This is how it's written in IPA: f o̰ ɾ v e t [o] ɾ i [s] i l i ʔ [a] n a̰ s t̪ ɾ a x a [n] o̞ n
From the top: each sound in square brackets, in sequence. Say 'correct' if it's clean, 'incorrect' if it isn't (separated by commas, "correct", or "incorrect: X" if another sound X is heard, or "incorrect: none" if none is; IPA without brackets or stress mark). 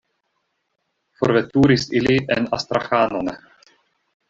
incorrect: u, correct, incorrect: e, correct